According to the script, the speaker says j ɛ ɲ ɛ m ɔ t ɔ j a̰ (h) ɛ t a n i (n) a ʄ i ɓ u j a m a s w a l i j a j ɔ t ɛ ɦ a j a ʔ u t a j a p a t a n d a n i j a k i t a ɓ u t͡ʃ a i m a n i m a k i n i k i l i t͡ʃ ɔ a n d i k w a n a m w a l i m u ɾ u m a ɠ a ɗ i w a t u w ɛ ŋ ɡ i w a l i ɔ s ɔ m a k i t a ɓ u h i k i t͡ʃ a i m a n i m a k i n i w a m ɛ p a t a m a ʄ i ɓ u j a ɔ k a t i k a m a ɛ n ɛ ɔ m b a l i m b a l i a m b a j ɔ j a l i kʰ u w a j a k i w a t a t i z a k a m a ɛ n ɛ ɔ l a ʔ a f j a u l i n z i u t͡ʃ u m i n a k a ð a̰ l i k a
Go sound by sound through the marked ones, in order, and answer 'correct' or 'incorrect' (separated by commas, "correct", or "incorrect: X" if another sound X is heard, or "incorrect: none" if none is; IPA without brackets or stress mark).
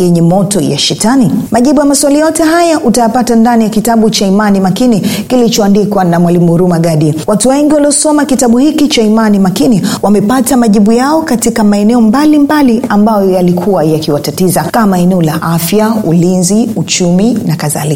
incorrect: ʃ, incorrect: m